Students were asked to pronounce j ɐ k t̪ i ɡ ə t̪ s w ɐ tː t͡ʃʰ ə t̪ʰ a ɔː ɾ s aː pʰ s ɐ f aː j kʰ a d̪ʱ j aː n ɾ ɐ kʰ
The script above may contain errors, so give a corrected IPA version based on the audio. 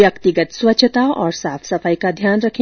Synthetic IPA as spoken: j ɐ k t̪ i ɡ ə t̪ s w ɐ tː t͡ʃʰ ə t̪ a ɔː ɾ s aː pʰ s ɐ f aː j k a d̪ʱ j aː n ɾ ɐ kʰ